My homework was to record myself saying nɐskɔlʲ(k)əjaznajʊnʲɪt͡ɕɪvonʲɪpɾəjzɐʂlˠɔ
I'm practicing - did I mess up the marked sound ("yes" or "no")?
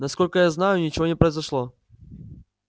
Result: no